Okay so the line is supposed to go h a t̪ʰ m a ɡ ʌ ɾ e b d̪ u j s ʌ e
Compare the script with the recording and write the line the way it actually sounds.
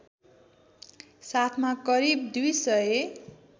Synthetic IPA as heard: s a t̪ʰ m a k ʌ ɾ i b d̪ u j s ʌ e

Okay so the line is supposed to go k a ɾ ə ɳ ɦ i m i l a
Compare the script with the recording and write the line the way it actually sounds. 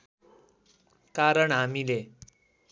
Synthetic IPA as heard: k a ɾ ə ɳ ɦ a m i l e

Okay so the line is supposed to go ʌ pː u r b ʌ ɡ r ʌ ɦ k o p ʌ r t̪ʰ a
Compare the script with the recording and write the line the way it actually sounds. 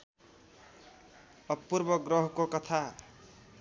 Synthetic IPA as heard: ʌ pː u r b ʌ ɡ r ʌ ɦ k o k ʌ t̪ʰ a

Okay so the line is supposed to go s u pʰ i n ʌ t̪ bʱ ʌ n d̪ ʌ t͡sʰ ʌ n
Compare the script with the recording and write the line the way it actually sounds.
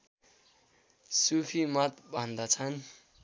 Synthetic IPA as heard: s u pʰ i m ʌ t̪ bʱ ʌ n d̪ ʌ t͡sʰ ʌ n

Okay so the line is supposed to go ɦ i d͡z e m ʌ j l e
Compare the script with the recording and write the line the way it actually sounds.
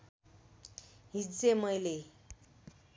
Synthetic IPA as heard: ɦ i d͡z e m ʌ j l e

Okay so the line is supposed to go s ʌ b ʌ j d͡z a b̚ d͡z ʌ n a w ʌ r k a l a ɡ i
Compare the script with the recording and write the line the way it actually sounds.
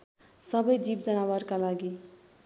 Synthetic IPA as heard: s ʌ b ʌ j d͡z i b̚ d͡z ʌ n a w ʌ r k a l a ɡ i

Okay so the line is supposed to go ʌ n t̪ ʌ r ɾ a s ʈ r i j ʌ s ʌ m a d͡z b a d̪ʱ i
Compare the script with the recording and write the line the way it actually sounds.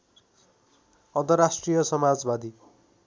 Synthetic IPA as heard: ʌ n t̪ ʌ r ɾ a s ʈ r i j ʌ s ʌ m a d͡z b a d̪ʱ i

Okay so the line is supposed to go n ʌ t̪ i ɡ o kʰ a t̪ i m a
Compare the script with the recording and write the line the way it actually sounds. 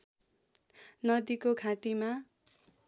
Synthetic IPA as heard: n ʌ d̪ i k o kʰ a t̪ i m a

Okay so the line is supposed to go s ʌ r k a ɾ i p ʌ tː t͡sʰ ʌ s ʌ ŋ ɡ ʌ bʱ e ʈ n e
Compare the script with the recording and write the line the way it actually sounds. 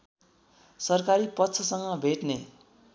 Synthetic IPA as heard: s ʌ r k a ɾ i p ʌ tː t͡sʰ ʌ s ʌ ŋ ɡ ʌ bʱ e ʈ n e

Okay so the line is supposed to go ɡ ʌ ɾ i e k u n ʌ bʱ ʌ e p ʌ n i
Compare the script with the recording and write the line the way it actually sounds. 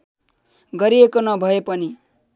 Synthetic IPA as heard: ɡ ʌ ɾ i e k o n ʌ bʱ ʌ e p ʌ n i

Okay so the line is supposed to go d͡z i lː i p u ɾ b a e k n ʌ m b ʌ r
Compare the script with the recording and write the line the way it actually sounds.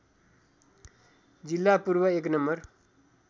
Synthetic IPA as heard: d͡z i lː a p u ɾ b ʌ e k n ʌ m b ʌ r

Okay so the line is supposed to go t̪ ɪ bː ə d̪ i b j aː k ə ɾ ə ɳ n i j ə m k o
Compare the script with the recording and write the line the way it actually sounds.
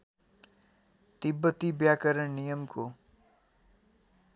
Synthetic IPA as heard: t̪ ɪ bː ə t̪ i b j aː k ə ɾ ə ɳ n i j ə m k o

